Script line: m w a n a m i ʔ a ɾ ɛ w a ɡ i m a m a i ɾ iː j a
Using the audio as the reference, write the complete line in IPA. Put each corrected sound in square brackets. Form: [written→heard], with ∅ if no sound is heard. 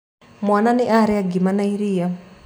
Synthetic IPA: m w a n a [m→n] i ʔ a ɾ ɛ [w→∅] a ɡ i m a [m→n] a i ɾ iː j a